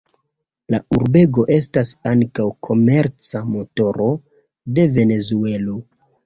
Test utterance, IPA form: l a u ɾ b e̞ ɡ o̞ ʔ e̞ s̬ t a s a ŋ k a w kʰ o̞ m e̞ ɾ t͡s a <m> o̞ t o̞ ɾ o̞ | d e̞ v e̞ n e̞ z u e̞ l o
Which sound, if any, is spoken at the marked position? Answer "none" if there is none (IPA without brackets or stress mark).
m